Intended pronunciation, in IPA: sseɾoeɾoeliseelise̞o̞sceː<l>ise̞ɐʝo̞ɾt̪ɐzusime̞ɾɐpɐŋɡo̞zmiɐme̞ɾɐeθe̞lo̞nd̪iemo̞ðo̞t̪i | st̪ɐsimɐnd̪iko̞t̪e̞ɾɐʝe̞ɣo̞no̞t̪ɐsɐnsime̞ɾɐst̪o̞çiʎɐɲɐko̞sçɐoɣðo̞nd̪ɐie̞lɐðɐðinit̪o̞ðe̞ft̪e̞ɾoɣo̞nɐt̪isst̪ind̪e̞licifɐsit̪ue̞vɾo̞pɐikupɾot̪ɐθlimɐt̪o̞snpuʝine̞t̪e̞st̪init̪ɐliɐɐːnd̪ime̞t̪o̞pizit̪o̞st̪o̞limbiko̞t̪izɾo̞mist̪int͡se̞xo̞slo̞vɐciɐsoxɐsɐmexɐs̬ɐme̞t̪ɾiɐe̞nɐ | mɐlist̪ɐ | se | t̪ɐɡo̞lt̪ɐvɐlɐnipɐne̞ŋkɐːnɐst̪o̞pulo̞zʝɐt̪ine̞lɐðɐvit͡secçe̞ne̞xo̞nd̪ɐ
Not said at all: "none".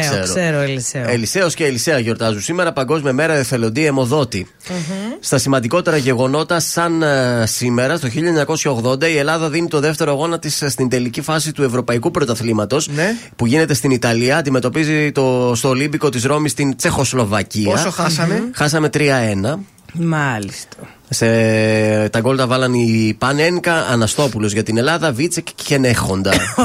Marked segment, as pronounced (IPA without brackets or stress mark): l